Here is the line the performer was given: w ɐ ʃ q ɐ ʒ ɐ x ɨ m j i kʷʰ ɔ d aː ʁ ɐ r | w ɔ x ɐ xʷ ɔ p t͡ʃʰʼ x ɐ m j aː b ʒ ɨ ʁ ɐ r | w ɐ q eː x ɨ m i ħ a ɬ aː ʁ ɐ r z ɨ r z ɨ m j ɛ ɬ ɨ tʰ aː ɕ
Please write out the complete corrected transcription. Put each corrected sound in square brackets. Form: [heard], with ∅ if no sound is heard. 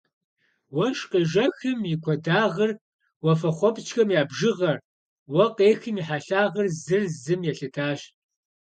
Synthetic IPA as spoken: w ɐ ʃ q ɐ ʒ ɐ x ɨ m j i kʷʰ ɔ d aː ʁ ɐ r | w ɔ [f] ɐ [χʷ] ɔ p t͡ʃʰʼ x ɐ m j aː b ʒ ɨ ʁ ɐ r | w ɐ q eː x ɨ m i ħ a ɬ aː ʁ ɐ r z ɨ r z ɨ m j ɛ ɬ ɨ tʰ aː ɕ